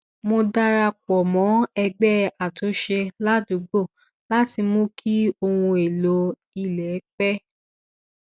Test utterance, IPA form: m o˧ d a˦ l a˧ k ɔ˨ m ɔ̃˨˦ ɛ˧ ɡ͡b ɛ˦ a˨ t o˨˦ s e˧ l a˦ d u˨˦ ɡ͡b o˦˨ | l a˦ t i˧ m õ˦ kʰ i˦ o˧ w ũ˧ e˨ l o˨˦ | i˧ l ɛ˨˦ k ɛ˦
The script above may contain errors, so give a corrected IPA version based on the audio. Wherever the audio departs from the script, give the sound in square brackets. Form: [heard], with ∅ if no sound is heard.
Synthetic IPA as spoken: m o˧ d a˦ [ɾ] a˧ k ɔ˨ m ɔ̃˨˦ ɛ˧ ɡ͡b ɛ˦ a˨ t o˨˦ [ʃ] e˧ l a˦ d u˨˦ ɡ͡b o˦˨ | l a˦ t i˧ m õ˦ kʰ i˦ o˧ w ũ˧ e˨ l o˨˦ | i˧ l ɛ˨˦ [k͡p] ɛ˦